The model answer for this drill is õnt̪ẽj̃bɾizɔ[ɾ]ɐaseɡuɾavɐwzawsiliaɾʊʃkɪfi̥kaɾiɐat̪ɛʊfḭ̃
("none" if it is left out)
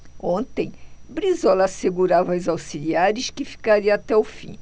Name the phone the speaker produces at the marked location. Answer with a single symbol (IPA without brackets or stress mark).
l